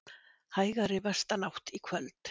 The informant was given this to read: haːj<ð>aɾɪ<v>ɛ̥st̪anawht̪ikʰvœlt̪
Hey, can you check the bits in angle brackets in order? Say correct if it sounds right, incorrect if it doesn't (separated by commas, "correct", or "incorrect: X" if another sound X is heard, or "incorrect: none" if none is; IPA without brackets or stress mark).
incorrect: ɣ, correct